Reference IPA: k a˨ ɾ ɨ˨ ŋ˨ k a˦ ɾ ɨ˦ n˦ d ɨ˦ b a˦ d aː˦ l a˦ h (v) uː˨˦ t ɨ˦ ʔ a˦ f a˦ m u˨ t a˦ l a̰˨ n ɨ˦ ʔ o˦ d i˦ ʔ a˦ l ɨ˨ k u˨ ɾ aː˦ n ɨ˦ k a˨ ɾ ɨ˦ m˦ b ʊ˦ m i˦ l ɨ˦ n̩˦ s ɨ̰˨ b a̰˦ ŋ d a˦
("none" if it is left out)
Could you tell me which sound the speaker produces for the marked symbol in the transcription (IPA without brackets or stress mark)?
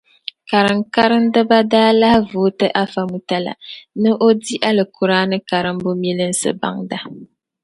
v